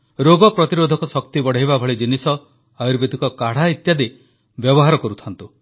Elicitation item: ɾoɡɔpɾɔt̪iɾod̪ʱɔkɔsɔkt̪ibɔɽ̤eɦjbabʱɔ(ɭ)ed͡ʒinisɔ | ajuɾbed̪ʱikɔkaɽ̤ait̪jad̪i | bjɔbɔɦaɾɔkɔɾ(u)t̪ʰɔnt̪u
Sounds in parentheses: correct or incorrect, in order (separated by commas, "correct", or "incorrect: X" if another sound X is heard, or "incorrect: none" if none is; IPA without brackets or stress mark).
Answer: correct, correct